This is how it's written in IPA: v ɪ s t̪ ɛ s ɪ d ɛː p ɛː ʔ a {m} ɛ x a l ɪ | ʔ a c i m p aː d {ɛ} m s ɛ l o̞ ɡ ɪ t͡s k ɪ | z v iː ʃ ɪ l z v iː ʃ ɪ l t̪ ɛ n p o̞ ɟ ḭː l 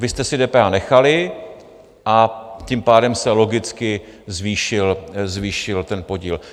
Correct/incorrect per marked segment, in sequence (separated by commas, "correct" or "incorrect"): incorrect, correct